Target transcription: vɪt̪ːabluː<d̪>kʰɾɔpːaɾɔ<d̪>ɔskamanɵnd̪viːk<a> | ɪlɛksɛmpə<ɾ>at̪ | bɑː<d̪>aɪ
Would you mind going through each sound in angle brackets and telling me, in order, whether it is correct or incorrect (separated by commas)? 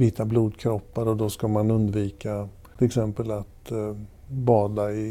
correct, correct, correct, incorrect, correct